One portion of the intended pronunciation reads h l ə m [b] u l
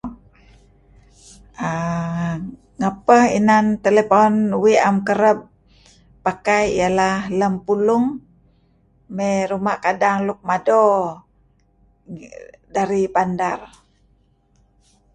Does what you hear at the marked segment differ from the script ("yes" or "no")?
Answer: yes